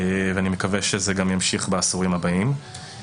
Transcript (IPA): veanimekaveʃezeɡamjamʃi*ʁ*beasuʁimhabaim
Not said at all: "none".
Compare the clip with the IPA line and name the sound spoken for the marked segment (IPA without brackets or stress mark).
χ